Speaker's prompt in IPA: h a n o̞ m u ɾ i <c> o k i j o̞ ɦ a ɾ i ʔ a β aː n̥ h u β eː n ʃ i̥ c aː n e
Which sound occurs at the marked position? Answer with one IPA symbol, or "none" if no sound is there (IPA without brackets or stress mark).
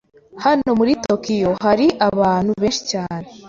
t